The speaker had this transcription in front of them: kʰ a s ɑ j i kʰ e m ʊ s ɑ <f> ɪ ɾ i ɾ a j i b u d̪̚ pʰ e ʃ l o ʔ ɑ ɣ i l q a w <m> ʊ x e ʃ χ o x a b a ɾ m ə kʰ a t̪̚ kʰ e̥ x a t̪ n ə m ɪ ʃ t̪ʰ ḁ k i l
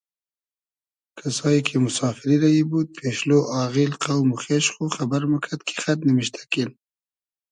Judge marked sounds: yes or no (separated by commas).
yes, yes